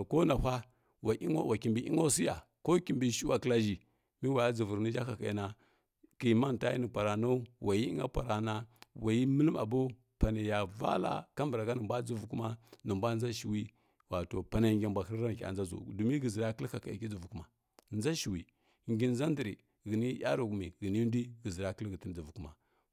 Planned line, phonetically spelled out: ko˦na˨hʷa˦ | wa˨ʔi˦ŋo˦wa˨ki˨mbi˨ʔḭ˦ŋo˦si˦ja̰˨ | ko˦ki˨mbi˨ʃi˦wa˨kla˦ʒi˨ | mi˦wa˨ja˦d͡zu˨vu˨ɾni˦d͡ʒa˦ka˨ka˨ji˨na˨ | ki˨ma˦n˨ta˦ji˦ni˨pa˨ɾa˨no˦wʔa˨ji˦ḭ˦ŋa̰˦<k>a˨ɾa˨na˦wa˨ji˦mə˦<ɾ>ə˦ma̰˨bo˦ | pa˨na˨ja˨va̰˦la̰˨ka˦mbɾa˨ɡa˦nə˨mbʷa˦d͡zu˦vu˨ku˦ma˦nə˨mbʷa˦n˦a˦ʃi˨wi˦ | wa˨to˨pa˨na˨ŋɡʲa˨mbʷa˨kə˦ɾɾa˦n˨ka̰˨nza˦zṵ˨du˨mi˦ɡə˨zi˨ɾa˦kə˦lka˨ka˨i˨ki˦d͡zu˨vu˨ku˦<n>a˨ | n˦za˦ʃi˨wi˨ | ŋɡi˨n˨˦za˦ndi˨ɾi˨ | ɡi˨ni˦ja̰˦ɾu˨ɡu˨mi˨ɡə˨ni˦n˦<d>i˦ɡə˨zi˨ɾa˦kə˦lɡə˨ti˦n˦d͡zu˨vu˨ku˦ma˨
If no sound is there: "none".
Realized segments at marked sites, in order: p, l, m, d

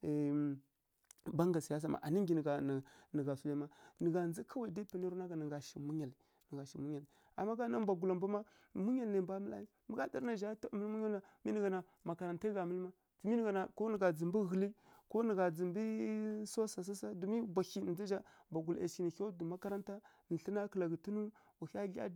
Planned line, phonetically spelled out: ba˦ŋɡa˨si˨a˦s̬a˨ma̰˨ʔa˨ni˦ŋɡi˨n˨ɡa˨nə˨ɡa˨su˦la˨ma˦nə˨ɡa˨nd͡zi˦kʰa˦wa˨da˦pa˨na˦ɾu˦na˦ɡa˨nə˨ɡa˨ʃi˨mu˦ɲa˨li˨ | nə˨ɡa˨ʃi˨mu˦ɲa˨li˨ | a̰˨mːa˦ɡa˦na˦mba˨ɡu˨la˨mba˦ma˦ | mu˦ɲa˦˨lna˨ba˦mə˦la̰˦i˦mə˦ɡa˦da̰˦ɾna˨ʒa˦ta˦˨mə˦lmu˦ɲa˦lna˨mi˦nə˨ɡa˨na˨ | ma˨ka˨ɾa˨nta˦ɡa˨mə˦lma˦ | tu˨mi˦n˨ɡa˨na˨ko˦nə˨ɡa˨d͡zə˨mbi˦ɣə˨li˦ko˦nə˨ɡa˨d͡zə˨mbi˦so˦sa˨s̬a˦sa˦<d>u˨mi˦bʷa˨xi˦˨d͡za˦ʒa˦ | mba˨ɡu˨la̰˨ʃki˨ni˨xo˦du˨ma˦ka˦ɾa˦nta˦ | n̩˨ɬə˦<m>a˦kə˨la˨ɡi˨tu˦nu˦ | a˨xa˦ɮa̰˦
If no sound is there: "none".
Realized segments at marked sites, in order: d, n

